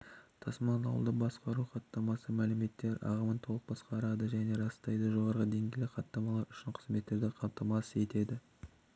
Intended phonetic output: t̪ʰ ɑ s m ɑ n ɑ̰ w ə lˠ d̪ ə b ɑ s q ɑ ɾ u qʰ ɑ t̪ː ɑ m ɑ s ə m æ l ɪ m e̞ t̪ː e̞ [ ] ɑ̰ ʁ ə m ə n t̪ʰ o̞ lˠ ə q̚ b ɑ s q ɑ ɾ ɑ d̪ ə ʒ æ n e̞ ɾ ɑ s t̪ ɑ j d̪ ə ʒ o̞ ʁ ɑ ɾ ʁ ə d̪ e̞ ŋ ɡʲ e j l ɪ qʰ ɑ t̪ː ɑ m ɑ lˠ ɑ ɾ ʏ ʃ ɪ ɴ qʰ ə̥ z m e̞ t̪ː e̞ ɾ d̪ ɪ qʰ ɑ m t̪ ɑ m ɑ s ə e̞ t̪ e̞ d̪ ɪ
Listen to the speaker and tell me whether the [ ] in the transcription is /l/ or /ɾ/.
ɾ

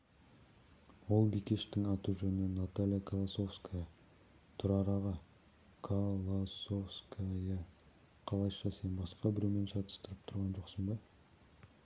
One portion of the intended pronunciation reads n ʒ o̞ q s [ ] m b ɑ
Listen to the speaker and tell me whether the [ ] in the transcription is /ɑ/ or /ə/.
ə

